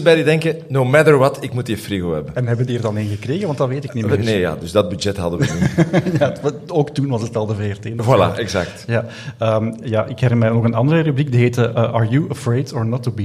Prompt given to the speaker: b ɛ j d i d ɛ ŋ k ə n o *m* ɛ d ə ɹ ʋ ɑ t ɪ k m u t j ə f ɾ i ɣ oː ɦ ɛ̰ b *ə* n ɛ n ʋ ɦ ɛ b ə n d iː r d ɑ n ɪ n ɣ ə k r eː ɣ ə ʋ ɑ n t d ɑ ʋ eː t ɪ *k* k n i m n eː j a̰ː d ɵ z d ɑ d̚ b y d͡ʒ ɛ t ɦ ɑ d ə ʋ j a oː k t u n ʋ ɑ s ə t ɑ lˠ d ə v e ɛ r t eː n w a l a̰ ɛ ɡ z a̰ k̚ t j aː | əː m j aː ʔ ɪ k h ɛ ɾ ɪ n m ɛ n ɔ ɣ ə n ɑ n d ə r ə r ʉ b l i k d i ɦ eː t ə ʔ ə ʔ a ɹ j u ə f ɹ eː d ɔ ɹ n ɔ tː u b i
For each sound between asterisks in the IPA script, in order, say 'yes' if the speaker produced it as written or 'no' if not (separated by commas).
yes, yes, yes